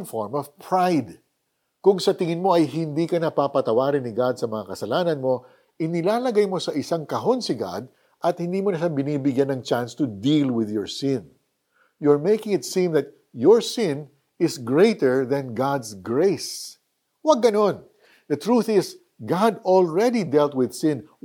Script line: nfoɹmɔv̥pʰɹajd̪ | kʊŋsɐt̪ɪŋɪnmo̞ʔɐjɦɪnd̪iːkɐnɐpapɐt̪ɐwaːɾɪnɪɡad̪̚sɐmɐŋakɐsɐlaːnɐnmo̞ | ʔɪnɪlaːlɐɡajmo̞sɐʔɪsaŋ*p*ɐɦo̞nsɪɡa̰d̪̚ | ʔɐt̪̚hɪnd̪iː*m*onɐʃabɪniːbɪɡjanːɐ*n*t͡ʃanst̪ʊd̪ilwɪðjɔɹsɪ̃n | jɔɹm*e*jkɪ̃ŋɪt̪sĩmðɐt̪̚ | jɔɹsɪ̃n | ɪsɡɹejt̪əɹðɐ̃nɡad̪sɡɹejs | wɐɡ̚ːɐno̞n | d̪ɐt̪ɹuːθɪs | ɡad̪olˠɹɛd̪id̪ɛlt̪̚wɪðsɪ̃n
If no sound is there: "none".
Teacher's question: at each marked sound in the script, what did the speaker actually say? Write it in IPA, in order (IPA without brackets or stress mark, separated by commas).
k, m, ŋ, e